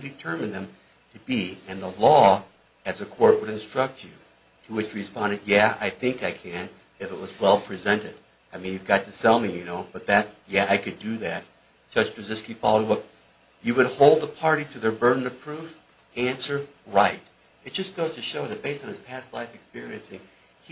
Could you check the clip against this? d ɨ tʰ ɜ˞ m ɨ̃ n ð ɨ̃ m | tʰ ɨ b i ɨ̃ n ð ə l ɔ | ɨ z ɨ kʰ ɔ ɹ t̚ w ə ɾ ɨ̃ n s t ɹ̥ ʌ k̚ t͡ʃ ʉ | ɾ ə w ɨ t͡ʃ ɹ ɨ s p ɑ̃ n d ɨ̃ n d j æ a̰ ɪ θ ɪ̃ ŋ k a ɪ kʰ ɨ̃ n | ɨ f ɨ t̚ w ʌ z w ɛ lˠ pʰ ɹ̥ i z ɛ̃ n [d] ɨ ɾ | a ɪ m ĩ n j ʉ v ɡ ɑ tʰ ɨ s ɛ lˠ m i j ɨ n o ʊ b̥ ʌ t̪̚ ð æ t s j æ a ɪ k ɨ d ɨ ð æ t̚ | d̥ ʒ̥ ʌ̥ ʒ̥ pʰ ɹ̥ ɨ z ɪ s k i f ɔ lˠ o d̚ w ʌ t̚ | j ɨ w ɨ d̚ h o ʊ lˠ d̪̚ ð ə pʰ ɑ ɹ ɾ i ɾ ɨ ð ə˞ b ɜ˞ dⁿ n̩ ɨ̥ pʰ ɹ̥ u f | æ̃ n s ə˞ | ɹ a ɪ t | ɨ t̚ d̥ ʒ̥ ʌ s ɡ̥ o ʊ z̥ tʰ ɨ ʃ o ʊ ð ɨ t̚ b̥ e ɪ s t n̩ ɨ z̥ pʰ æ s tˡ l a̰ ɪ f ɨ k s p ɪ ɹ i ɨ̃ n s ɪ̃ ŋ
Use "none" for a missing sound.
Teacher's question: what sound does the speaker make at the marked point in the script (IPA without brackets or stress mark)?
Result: t